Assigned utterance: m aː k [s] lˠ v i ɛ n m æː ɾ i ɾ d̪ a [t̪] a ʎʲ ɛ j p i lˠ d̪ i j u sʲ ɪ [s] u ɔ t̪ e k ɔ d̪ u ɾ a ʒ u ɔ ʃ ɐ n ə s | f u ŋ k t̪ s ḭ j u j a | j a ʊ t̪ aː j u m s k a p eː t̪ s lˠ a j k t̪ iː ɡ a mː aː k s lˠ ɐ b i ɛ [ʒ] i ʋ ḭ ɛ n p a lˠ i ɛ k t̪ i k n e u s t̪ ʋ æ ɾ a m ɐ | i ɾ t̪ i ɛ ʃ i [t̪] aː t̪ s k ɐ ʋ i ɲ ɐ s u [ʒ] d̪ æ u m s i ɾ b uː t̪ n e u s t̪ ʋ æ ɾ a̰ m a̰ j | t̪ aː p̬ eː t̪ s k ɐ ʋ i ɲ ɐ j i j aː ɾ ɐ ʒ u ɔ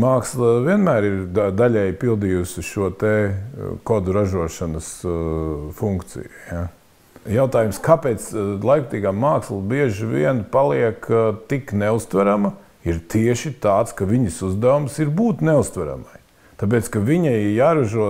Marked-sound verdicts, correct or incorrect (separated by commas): correct, incorrect, incorrect, correct, correct, incorrect